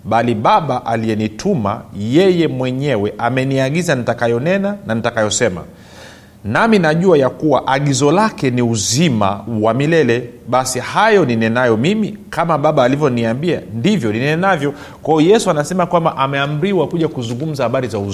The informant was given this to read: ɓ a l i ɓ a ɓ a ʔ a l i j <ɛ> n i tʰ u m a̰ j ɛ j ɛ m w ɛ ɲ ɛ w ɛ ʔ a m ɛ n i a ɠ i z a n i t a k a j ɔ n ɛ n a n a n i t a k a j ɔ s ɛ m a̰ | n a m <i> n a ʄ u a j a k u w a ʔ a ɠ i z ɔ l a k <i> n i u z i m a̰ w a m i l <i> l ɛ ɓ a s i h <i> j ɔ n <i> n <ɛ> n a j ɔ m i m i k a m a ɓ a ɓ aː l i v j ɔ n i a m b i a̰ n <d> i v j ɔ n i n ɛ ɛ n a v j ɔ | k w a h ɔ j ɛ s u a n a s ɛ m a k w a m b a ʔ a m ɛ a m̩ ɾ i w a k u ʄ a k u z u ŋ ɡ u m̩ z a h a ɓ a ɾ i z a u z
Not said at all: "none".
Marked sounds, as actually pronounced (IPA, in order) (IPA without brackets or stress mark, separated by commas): ɛ, i, ɛ, ɛ, a, i, ɛ, d